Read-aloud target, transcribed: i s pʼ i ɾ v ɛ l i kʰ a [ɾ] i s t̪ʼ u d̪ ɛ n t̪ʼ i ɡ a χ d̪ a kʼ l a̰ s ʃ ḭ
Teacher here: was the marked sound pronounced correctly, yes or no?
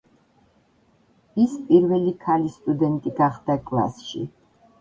no